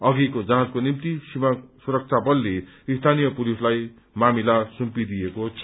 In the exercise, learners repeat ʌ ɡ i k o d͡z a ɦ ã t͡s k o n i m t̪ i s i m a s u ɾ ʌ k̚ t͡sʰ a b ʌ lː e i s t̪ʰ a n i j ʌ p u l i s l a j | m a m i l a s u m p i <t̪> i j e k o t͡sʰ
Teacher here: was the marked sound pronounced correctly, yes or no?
no